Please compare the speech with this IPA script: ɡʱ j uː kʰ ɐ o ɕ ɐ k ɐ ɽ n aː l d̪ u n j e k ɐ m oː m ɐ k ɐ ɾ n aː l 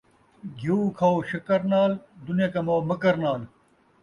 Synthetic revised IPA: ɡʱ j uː kʰ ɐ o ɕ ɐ k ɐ ɾ n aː l d̪ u n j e k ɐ m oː m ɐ k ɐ ɾ n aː l